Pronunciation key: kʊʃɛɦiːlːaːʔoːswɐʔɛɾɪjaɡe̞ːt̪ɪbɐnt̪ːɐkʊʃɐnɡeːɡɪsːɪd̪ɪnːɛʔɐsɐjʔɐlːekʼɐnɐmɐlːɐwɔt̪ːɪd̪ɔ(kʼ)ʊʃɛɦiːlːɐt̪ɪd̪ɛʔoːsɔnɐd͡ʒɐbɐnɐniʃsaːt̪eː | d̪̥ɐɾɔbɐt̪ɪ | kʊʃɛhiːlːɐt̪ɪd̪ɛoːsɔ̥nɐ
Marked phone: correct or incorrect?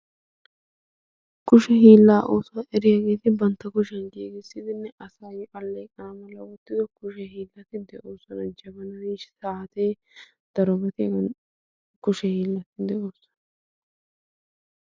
incorrect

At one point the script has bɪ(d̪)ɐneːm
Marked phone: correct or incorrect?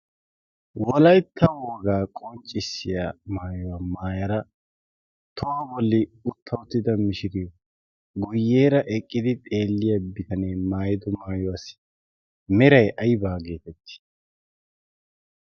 incorrect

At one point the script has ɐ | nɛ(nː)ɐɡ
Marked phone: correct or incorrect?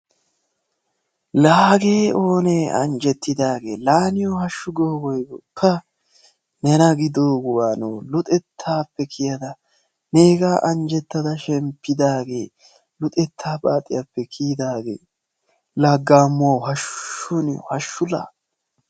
incorrect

